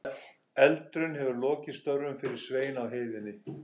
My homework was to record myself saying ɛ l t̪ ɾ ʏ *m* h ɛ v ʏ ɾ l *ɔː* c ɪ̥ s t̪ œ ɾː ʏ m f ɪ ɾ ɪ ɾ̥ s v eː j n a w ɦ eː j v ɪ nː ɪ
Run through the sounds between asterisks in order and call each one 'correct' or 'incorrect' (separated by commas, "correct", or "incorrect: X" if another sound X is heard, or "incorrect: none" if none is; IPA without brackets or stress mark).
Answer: incorrect: n, correct